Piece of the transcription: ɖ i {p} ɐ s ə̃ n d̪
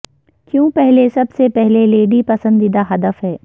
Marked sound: correct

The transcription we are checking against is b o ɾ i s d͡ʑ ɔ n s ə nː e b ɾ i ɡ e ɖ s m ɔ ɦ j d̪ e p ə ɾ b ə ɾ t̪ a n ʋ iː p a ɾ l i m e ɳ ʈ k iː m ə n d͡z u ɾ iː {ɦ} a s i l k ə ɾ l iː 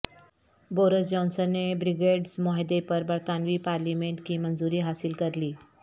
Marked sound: correct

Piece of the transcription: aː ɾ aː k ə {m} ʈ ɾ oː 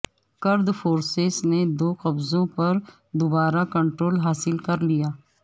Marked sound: incorrect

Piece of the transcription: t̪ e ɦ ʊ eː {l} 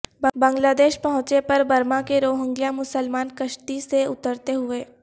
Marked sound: incorrect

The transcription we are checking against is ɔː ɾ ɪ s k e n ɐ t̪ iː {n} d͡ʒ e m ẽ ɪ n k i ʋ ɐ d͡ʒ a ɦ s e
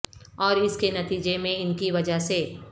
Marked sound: incorrect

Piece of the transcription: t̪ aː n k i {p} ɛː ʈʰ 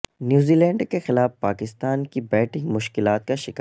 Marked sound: incorrect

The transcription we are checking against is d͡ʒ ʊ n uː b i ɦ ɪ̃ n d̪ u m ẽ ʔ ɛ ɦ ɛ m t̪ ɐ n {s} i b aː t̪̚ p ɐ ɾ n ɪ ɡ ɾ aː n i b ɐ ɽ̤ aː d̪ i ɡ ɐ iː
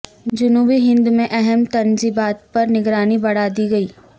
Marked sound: incorrect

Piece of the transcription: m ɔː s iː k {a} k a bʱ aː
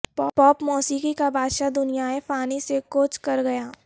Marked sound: incorrect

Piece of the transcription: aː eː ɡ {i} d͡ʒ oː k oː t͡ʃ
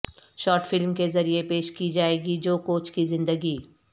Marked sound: correct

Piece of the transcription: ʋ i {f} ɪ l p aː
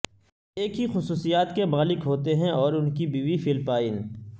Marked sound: correct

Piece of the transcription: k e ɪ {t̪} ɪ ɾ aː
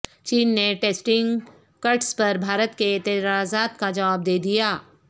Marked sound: correct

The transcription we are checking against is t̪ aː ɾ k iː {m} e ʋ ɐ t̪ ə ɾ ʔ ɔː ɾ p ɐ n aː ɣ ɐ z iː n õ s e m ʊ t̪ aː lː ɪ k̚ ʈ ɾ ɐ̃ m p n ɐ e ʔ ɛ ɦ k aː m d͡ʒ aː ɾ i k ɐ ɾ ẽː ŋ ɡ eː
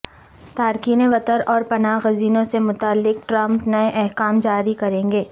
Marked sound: incorrect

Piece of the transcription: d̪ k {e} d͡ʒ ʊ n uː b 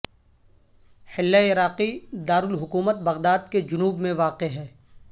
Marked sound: correct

